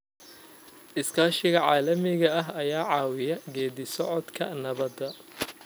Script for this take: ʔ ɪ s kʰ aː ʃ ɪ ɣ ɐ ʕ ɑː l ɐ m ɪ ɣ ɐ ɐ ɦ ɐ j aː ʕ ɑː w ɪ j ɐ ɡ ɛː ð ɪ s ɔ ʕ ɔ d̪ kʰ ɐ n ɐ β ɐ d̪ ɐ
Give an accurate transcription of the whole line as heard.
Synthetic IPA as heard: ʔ ɪ s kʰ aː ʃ ɪ ɣ ɐ ʕ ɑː l ɐ m ɪ ɣ ɐ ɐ ɦ ɐ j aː ʕ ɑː w ɪ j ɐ ɡ ɛː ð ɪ s ɔ ʕ ɔ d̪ kʰ ɐ n ɐ β ɐ d̪ ɐ